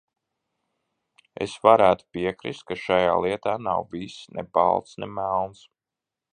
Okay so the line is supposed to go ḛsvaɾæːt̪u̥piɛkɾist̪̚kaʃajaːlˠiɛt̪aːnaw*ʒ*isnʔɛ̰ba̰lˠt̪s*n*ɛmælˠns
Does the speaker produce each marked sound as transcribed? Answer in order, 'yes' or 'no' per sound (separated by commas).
no, yes